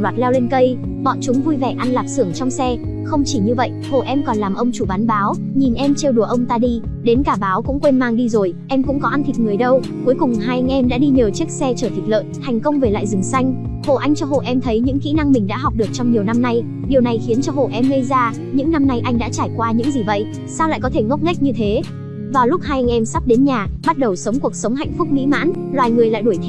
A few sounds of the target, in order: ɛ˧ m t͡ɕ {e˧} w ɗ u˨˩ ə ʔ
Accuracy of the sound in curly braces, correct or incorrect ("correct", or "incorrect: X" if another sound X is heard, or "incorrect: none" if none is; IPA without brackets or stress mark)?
correct